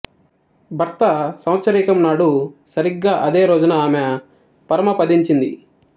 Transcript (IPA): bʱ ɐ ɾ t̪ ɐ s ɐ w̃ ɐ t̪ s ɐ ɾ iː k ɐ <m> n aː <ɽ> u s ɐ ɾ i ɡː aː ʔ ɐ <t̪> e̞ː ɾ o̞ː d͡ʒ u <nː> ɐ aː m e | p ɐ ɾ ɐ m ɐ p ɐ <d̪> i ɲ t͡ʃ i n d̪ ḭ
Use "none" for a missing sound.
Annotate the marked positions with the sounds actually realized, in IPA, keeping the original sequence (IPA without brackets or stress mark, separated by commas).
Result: m, ɽ, d̪, n, d̪